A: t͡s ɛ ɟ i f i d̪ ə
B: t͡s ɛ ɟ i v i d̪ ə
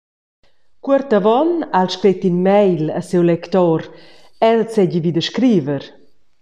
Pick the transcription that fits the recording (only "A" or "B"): B